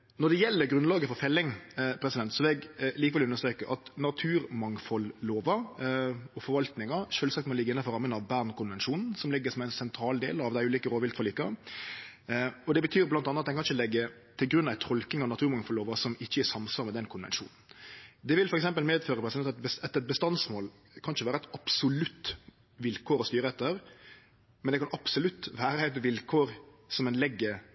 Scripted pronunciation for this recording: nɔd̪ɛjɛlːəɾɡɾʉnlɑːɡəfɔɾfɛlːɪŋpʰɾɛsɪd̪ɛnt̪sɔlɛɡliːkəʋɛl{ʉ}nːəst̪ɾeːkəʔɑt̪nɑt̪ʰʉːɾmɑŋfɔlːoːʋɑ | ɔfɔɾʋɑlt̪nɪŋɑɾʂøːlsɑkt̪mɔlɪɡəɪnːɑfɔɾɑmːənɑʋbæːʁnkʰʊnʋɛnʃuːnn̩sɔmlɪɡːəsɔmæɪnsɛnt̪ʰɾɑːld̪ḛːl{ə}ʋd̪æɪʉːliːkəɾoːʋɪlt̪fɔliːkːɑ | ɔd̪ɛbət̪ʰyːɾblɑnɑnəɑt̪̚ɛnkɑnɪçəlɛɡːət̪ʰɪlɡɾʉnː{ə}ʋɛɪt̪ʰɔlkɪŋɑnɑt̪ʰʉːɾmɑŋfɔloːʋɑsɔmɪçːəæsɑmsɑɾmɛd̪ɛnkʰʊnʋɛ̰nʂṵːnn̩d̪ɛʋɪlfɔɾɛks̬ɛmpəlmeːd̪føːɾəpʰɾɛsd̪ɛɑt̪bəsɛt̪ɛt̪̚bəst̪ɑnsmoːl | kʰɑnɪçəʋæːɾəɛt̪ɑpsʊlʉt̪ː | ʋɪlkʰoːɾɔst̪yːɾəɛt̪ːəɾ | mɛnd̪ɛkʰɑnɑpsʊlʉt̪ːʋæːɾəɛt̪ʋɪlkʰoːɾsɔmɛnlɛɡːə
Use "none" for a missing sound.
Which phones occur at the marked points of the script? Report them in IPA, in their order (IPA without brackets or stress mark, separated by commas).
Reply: ʉ, ɑ, ɑ